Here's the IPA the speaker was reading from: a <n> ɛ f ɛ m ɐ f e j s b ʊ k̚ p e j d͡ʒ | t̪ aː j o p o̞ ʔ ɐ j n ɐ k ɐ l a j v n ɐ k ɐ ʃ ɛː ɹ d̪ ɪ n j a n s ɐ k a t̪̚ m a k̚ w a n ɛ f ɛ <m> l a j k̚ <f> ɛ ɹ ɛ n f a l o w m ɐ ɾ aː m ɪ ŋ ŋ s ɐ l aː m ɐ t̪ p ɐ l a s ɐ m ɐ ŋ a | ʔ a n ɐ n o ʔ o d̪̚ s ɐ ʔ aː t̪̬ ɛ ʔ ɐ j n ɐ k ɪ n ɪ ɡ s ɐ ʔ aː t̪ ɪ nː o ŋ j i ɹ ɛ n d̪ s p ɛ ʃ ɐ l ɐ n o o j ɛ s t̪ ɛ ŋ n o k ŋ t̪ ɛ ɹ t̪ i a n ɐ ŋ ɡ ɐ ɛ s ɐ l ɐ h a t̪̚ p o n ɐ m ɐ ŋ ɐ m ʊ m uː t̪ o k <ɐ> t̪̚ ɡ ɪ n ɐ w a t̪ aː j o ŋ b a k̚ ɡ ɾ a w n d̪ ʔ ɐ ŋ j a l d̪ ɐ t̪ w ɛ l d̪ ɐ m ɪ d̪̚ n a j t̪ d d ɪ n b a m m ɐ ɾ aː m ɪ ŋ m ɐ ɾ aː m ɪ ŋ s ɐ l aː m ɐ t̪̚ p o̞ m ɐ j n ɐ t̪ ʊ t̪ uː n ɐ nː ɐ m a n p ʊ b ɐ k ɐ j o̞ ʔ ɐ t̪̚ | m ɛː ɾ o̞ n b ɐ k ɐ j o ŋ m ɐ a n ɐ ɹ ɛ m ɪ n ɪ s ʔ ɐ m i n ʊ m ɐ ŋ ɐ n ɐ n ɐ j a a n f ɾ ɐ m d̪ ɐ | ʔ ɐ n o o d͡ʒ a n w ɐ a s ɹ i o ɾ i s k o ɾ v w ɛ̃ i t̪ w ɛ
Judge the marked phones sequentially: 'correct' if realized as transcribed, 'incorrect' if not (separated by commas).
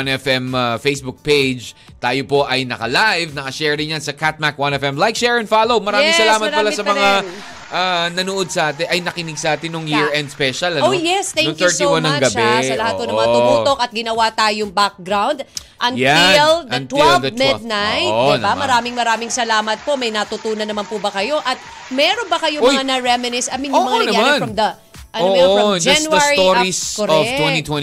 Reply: correct, correct, incorrect, correct